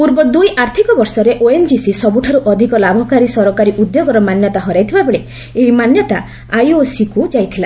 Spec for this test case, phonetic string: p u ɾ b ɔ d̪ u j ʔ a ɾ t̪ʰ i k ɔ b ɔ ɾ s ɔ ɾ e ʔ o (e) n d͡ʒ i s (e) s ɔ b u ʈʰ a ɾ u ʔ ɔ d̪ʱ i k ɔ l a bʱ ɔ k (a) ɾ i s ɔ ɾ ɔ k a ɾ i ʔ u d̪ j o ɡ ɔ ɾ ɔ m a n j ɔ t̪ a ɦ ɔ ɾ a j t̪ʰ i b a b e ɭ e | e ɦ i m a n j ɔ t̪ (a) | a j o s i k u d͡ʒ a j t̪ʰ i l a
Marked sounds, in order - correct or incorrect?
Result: correct, incorrect: i, correct, correct

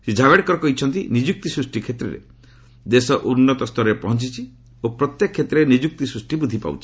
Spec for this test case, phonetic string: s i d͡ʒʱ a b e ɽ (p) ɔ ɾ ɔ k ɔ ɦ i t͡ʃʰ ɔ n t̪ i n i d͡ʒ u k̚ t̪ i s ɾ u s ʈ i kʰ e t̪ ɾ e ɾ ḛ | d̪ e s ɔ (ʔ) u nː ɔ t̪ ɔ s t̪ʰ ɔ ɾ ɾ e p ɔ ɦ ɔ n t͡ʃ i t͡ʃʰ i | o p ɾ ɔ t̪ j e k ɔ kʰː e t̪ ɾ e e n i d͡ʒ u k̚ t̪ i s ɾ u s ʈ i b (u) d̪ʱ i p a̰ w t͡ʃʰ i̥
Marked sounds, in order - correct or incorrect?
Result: incorrect: k, correct, correct

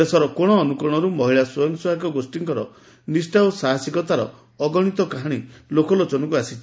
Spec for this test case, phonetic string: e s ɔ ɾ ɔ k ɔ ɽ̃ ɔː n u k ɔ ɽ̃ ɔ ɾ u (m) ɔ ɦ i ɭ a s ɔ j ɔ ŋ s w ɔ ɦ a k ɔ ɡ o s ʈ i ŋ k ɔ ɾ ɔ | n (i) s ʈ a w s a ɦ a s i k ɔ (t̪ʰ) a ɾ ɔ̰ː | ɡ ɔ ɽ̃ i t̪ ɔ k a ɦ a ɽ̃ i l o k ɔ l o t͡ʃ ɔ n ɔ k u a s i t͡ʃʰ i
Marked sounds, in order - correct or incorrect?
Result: correct, correct, incorrect: t̪

